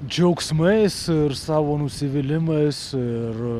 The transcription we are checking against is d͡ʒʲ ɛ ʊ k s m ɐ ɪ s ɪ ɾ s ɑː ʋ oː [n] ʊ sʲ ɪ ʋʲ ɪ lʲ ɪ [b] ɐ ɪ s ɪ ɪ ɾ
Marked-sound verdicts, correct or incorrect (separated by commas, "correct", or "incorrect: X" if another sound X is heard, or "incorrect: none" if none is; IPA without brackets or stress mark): correct, incorrect: m